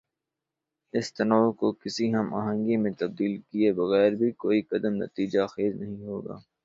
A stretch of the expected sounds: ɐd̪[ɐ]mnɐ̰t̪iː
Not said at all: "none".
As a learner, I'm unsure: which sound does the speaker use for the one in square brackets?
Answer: ə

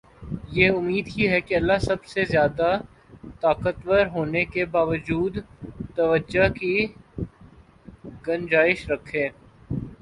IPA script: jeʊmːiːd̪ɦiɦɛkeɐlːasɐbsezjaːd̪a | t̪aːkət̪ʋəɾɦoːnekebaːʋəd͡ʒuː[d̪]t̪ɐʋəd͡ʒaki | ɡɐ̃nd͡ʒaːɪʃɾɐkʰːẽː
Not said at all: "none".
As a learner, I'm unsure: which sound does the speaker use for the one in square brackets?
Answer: d̪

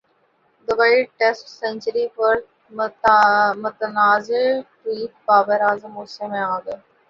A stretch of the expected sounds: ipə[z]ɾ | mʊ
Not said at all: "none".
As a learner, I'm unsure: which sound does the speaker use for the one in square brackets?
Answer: none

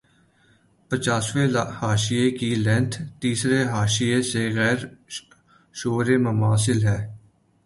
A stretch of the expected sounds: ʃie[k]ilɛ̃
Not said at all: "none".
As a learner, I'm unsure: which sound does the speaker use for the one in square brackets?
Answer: k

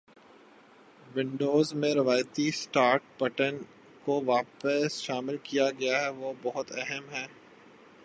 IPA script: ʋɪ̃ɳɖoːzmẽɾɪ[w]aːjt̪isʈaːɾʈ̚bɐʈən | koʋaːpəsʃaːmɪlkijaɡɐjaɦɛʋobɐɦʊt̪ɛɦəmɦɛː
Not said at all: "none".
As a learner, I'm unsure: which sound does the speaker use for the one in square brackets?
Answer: ʋ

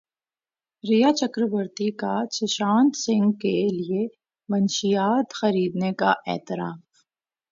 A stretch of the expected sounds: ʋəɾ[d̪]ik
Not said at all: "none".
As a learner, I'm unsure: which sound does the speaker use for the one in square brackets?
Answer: t̪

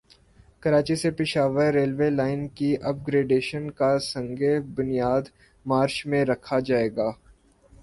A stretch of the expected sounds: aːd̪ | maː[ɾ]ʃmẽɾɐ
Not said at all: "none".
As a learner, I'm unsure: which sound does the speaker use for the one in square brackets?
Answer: ɾ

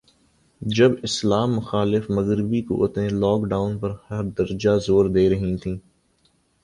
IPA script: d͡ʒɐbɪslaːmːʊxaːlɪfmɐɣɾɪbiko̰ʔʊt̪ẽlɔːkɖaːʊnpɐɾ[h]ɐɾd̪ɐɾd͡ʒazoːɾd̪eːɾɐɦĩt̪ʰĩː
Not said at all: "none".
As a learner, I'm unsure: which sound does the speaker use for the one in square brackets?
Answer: h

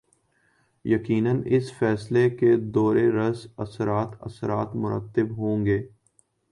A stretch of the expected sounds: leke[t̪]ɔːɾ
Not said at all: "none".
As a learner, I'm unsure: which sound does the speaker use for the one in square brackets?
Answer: d̪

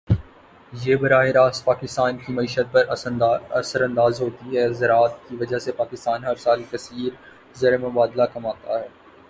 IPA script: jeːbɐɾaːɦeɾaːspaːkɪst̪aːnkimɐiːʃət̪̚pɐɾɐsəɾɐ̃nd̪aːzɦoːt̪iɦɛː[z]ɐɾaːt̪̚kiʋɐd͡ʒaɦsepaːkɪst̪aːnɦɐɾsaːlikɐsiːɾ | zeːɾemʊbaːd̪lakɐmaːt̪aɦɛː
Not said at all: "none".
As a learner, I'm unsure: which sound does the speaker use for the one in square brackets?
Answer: z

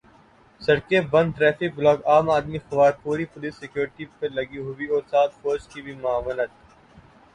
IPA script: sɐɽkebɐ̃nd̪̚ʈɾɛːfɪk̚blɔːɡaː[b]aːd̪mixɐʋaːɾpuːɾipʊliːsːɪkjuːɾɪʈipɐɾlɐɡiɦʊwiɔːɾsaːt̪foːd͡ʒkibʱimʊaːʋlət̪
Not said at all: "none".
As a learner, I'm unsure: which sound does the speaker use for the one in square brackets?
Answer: m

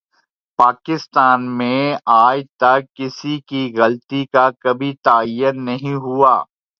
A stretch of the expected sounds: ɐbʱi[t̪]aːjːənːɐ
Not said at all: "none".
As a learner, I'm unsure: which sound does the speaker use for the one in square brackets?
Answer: t̪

